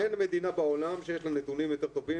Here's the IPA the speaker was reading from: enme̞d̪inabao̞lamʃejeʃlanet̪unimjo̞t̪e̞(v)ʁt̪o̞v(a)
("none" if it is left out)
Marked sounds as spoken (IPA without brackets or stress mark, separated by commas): none, i